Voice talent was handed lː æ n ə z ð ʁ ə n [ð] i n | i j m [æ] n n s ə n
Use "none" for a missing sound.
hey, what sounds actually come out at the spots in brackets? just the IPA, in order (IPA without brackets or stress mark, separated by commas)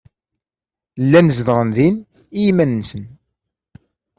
ð, æ